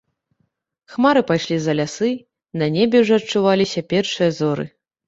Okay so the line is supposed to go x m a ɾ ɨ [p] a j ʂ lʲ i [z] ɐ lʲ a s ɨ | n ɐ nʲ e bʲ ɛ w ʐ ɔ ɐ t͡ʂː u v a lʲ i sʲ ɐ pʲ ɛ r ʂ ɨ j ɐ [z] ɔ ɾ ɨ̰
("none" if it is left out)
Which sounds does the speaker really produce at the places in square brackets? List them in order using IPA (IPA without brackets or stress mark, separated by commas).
p, z, z